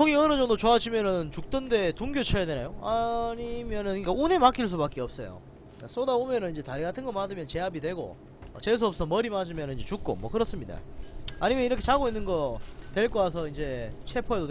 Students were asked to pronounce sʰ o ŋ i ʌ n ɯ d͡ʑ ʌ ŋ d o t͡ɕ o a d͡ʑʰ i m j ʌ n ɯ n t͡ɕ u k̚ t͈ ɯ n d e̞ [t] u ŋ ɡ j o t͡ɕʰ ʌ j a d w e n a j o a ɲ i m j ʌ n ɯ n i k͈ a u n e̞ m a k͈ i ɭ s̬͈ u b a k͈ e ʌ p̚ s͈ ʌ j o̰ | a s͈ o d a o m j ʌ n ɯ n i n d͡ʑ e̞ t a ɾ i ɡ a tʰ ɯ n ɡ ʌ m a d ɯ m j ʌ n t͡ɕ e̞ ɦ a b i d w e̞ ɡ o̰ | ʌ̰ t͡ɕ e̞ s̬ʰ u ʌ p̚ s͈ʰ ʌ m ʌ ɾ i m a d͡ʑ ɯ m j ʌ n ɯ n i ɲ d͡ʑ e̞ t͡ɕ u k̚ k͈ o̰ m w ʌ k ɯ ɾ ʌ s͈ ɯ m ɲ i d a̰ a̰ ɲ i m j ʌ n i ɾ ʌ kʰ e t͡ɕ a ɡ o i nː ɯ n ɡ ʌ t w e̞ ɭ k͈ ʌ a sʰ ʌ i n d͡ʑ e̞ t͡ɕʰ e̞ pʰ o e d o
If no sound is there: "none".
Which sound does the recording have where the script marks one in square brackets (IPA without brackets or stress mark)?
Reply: t